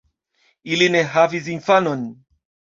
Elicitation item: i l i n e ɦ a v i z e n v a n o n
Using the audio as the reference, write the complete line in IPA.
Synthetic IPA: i l i n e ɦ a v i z i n f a n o n